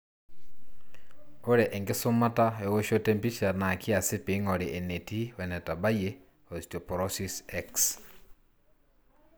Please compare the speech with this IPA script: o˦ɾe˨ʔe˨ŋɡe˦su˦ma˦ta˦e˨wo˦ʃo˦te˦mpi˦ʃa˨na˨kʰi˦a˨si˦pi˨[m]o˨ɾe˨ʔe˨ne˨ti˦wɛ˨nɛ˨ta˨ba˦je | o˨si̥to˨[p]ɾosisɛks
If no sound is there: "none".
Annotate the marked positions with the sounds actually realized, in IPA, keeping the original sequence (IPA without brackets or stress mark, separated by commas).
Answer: ŋ, p